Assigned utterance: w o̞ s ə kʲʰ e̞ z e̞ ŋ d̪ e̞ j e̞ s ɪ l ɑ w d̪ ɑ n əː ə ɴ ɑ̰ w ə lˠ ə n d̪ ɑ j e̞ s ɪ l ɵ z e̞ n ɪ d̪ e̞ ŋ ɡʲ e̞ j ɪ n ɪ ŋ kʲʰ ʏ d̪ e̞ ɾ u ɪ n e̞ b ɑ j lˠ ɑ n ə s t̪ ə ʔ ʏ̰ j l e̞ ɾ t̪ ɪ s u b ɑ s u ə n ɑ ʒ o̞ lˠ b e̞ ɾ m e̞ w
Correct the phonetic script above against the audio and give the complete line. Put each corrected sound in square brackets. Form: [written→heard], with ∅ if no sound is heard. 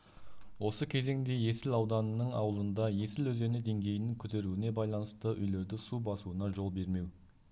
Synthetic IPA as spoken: w o̞ s ə kʲʰ e̞ z e̞ ŋ d̪ e̞ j e̞ s ɪ l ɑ w d̪ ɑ n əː ə ɴ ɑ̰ w ə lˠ ə n d̪ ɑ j e̞ s ɪ l ɵ z e̞ n ɪ d̪ e̞ ŋ ɡʲ e̞ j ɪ n ɪ ŋ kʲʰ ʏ [d̪→t̪] e̞ ɾ u ɪ n e̞ b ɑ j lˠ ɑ n ə s t̪ ə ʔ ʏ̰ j l e̞ ɾ [t̪→d̪] ɪ s u b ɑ s u ə n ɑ ʒ o̞ lˠ b e̞ ɾ m e̞ w